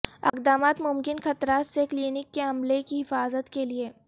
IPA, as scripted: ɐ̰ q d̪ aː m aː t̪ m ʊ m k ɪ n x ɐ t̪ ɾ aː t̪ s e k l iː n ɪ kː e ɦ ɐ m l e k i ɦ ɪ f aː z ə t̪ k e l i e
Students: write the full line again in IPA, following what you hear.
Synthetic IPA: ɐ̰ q d̪ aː m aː t̪ m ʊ m k ɪ n x ɐ t̪ ɾ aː t̪ s e k l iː n ɪ kː e ɦ ɐ m l e k i ɦ ɪ f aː z ə t̪ k e l i e